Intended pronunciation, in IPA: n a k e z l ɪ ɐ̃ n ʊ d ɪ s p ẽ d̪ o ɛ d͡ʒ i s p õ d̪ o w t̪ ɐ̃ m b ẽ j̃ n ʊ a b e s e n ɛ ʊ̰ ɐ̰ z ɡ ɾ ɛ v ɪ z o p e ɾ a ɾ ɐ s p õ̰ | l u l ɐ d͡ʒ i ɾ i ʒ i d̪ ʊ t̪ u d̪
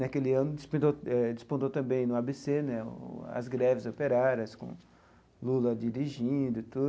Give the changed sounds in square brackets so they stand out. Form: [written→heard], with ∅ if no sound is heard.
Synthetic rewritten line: n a k e [z→∅] l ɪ ɐ̃ n ʊ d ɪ s p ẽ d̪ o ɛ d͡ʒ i s p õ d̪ o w t̪ ɐ̃ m b ẽ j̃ n ʊ a b e s e n ɛ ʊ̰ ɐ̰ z ɡ ɾ ɛ v ɪ z o p e ɾ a ɾ ɐ s [p→k] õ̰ | l u l ɐ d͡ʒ i ɾ i ʒ [i→ĩ] d̪ ʊ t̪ u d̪